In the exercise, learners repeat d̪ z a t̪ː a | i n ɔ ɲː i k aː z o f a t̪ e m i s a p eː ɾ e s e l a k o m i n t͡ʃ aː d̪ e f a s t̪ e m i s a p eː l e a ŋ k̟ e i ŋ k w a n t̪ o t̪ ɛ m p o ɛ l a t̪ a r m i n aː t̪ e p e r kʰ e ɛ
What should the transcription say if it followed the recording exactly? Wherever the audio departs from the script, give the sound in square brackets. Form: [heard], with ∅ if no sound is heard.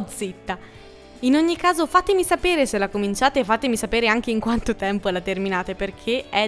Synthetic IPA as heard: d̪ z [i] t̪ː a | i n [o] ɲː i k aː z o f a t̪ e m i s a p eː ɾ e s e l a k o m i n t͡ʃ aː [t̪] e f a [∅] t̪ e m i s a p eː [ɾ] e a ŋ k̟ e i ŋ k w a n t̪ o t̪ ɛ m p o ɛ l a t̪ [e] r m i n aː t̪ e p e r kʰ e ɛ